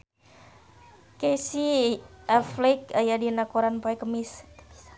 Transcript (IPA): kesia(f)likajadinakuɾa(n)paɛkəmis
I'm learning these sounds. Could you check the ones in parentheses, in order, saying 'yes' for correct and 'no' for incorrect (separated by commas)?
yes, yes